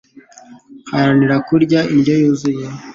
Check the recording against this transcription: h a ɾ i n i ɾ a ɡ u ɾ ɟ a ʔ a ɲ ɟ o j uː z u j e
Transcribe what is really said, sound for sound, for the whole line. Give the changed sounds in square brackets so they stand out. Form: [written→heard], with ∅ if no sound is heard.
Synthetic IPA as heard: h a ɾ [i→a] n i ɾ a [ɡ→k] u ɾ ɟ a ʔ [a→i] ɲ ɟ o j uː z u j e